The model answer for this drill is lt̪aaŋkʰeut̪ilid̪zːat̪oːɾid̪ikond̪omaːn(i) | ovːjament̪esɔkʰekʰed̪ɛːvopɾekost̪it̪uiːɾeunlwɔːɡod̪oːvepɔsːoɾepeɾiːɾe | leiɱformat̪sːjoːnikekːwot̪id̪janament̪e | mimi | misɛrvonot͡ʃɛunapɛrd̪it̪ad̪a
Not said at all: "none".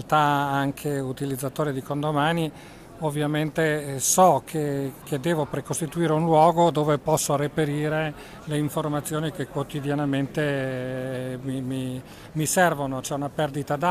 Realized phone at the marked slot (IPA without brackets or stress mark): i